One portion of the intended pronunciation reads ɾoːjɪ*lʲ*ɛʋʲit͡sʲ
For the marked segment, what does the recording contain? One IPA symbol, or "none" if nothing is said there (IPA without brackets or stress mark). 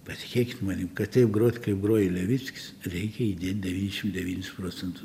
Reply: lʲ